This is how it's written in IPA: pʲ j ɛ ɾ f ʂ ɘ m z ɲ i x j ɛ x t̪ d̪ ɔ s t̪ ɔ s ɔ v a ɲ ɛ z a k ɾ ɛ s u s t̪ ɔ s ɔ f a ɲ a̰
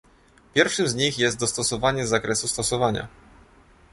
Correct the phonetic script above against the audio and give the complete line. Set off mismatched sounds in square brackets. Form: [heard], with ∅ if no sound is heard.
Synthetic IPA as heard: pʲ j ɛ ɾ f ʂ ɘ m z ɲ i x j ɛ [s] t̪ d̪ ɔ s t̪ ɔ s ɔ v a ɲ ɛ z a k ɾ ɛ s u s t̪ ɔ s ɔ [v] a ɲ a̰